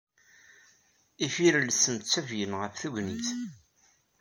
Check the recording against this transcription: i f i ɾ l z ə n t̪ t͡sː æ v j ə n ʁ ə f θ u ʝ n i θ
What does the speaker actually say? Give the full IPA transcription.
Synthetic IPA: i f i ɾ l s ə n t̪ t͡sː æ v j ə n ʁ ə f θ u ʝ n i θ